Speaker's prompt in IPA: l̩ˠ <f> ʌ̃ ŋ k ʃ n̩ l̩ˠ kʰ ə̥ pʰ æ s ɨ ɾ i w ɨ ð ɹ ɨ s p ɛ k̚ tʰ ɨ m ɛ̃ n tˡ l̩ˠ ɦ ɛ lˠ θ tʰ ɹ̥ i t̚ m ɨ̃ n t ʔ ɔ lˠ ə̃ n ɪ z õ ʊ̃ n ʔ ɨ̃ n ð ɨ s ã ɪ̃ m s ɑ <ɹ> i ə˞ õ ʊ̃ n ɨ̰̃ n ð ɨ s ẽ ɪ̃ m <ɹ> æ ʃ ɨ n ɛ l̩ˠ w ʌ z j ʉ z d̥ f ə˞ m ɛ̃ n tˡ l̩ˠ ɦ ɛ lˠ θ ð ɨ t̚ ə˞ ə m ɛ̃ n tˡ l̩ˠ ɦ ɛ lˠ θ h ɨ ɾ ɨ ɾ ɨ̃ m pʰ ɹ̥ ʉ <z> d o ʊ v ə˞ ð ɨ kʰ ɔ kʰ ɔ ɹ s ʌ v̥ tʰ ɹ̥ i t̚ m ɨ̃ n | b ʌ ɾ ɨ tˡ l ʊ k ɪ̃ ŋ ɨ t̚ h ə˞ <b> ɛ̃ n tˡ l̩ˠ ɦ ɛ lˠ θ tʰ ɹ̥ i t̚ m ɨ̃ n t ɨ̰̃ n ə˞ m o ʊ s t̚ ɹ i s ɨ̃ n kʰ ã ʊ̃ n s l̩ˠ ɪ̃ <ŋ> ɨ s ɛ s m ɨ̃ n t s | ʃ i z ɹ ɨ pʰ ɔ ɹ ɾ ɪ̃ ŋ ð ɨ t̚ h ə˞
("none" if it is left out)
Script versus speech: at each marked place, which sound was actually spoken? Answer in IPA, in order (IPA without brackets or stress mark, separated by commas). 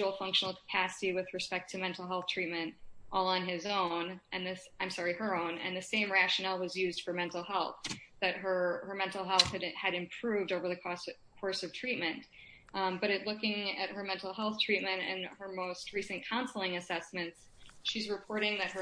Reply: f, ɹ, ɹ, v, m, ŋ